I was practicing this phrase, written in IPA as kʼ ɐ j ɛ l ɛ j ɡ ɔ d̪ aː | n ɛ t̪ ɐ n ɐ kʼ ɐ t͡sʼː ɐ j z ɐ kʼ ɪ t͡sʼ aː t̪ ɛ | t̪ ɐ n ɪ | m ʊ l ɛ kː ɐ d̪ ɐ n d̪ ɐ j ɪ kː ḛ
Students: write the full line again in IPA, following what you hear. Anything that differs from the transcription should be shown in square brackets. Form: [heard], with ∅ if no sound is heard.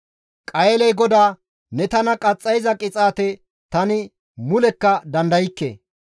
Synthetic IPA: kʼ ɐ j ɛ l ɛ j ɡ ɔ d̪ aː | n ɛ t̪ ɐ n ɐ kʼ ɐ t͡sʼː ɐ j z ɐ kʼ ɪ t͡sʼ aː t̪ ɛ | t̪ ɐ n ɪ | m ʊ l ɛ kː ɐ d̪ ɐ n d̪ ɐ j ɪ kː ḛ